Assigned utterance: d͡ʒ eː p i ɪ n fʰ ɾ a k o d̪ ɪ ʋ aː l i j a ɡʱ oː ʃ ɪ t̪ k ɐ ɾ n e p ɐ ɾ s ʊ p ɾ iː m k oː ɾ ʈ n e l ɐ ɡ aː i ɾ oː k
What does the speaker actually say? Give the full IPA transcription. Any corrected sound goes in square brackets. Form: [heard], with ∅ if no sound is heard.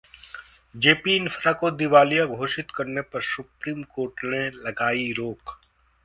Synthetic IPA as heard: d͡ʒ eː p i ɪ n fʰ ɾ a k o d̪ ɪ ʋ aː l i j a ɡʱ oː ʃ ɪ t̪ k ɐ ɾ n e p ɐ ɾ s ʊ p ɾ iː m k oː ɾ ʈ n e l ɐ ɡ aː i ɾ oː k